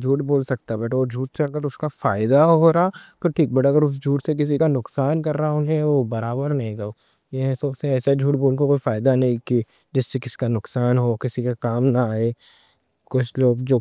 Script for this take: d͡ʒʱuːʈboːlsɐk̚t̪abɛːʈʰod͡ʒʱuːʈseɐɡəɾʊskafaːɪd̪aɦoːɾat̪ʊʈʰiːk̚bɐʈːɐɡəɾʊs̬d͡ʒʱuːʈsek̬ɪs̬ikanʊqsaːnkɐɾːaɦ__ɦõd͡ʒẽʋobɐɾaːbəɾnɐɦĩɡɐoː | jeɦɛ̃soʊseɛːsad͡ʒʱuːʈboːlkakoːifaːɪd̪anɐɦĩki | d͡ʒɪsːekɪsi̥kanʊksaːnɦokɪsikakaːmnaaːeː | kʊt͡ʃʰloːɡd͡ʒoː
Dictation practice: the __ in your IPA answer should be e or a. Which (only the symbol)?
a